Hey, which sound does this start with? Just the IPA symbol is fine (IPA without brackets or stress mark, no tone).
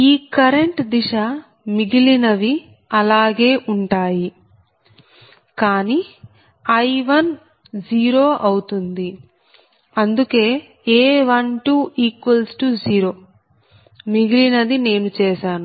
iː